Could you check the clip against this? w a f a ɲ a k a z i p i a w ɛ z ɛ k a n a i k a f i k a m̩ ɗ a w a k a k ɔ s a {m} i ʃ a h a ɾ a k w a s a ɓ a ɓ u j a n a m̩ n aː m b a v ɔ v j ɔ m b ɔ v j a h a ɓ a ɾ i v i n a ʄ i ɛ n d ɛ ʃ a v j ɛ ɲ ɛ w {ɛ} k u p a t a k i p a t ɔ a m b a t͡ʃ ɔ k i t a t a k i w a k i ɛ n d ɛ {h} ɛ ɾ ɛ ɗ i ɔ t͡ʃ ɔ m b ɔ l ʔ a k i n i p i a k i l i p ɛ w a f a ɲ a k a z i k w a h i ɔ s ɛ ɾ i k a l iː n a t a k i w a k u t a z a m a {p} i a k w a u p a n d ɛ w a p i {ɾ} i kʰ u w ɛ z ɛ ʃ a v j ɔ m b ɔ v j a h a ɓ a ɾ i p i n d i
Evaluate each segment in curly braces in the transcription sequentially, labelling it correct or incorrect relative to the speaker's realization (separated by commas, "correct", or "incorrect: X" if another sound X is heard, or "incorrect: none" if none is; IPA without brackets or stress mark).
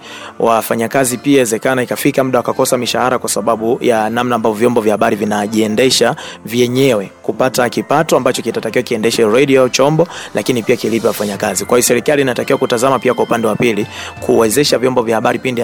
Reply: correct, correct, incorrect: ʃ, correct, incorrect: l